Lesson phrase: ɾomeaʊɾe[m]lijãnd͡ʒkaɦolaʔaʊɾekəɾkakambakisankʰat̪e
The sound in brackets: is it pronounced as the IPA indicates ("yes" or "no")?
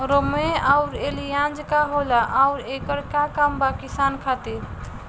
no